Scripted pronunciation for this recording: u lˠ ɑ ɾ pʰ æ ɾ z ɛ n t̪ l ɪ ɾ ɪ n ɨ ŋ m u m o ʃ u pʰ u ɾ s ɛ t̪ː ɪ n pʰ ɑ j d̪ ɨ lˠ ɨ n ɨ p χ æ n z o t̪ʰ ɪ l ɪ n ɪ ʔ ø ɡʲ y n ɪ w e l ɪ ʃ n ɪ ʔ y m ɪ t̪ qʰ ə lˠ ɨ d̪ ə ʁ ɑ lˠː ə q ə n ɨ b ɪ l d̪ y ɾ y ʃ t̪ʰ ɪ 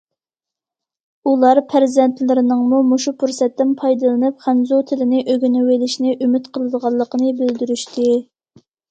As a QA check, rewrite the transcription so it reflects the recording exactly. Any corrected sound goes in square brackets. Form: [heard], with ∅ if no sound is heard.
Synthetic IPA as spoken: u lˠ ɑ ɾ pʰ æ ɾ z ɛ n t̪ l ɪ ɾ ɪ n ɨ ŋ m u m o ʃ u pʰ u ɾ s ɛ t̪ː ɪ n pʰ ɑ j d̪ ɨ lˠ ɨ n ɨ p χ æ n z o t̪ʰ ɪ l ɪ n ɪ ʔ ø ɡʲ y n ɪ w e l ɪ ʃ n ɪ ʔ y m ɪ t̪ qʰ ə lˠ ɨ d̪ ə ʁ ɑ lˠː ə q ə n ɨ b ɪ l d̪ y ɾ y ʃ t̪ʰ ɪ